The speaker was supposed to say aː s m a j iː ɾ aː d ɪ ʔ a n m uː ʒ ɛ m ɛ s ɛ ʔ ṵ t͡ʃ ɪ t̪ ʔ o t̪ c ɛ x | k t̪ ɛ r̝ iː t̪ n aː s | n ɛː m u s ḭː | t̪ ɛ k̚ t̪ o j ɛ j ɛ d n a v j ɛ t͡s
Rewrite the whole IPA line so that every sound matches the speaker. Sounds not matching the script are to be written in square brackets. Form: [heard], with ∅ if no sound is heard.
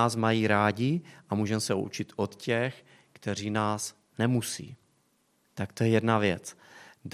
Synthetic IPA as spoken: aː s m a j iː ɾ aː [ɟ] ɪ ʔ a [∅] m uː ʒ ɛ m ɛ s ɛ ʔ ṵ t͡ʃ ɪ t̪ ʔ o t̪ c ɛ x | k t̪ ɛ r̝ iː [∅] n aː s | n [ɛ] m u s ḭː | t̪ [a] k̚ t̪ o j ɛ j ɛ d n a v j ɛ t͡s